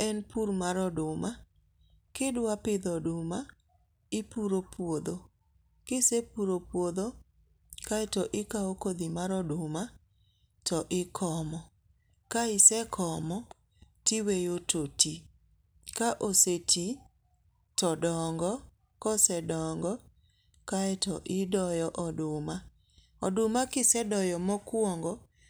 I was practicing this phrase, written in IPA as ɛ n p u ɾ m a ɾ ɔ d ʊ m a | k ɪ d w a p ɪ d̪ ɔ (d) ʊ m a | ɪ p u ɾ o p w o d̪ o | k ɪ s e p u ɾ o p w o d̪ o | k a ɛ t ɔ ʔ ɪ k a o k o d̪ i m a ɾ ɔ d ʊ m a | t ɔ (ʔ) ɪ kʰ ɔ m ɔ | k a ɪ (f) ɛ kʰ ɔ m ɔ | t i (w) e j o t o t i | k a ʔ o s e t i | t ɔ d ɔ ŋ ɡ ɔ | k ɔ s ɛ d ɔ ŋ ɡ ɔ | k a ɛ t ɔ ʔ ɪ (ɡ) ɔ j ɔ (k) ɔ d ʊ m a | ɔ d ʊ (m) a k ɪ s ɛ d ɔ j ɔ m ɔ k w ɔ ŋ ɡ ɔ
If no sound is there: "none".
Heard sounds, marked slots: d, ʔ, s, w, d, ʔ, m

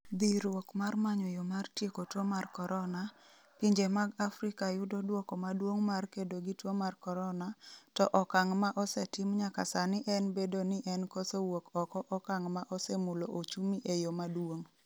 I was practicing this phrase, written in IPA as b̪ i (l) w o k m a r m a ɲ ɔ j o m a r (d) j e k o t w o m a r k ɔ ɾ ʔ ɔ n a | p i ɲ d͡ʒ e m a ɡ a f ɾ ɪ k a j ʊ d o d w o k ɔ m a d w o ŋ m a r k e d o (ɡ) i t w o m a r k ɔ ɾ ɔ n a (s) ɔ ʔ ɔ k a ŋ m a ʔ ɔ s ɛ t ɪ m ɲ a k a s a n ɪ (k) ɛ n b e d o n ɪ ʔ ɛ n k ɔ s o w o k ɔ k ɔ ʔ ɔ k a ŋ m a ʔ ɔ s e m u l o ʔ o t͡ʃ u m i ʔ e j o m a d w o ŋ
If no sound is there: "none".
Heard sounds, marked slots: ɾ, t, ɡ, t, ʔ

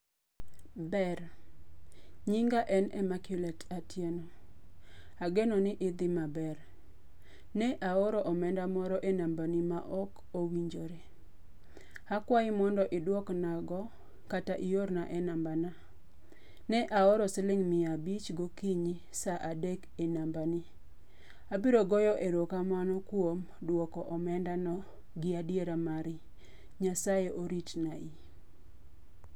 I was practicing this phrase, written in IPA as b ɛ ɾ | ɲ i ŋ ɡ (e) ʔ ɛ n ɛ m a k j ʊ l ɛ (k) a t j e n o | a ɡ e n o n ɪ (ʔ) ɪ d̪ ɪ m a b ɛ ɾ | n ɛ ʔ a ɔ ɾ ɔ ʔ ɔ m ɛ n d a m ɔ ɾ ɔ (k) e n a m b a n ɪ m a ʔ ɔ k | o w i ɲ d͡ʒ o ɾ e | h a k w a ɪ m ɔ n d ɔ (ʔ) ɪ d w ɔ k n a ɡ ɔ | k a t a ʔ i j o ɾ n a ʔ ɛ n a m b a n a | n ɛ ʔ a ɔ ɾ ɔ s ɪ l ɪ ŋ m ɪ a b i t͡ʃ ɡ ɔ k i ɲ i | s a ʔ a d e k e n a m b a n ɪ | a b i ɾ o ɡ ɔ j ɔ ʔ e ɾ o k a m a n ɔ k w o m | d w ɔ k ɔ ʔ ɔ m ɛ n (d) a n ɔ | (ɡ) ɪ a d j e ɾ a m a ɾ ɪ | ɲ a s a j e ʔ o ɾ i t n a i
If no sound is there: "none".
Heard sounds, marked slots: a, t, ʔ, ʔ, ʔ, d, ɡ

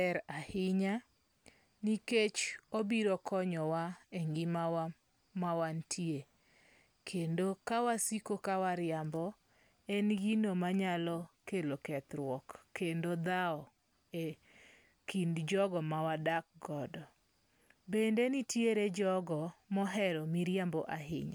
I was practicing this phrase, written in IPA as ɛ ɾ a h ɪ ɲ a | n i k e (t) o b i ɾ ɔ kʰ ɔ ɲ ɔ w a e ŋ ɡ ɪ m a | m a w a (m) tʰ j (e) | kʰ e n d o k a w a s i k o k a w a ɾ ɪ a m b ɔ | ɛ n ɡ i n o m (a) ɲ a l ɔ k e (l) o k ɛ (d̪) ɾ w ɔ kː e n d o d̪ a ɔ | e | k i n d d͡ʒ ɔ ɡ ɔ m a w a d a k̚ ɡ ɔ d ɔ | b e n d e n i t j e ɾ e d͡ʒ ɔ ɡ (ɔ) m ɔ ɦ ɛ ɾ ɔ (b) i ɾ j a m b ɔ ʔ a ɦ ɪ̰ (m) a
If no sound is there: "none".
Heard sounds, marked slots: t͡ʃ, n, e, a, l, t̪, ɔ, m, ɲ

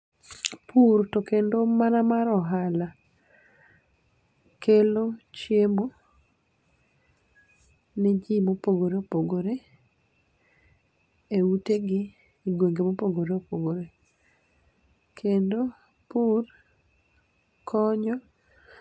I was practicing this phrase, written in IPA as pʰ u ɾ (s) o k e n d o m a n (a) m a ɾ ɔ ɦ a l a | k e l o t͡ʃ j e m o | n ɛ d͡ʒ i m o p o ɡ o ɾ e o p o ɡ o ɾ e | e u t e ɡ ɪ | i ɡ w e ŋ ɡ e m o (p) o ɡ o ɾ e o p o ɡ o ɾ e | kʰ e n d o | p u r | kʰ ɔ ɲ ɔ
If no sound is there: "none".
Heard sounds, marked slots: t, a, p

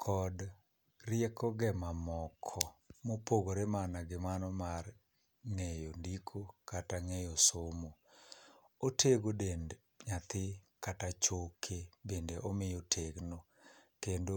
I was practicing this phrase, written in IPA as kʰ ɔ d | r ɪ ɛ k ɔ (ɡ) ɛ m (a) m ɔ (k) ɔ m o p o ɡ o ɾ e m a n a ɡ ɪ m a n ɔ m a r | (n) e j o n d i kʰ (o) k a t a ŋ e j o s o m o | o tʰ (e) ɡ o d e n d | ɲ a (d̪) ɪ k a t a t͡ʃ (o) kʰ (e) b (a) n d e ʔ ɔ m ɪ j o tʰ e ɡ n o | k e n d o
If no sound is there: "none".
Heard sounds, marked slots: ɡ, a, kʰ, ŋ, o, e, t̪, o, e, e

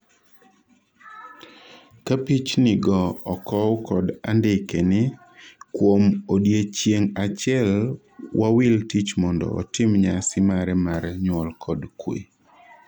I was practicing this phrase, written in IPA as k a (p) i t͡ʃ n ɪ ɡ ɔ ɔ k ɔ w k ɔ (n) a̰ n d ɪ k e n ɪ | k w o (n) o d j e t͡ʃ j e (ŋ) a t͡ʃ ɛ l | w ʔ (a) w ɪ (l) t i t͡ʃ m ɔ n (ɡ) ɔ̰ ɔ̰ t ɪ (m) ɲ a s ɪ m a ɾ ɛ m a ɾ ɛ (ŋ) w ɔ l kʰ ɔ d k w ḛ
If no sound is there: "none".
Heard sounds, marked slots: p, d, m, ŋ, a, l, d, m, ɲ

